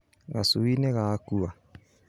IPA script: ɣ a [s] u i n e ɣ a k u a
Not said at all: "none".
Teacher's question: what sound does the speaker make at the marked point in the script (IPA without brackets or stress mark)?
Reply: s